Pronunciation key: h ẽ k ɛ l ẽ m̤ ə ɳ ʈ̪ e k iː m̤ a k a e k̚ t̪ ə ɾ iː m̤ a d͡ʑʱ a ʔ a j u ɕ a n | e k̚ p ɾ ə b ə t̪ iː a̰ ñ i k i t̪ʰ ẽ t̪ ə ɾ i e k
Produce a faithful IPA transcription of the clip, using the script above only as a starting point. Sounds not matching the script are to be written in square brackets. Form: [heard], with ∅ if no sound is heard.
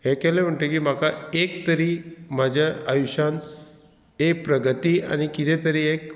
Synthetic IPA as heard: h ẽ k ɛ l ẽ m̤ ə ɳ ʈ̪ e k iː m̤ a k a e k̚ t̪ ə ɾ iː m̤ a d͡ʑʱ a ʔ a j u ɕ a n | e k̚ p ɾ ə [ɡ] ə t̪ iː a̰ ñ i k i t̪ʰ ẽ t̪ ə ɾ i e k